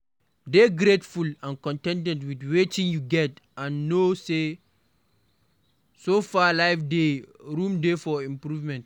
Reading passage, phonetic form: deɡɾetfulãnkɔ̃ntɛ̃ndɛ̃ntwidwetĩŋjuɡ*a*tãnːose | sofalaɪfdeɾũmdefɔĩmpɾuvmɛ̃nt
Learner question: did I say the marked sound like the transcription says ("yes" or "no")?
no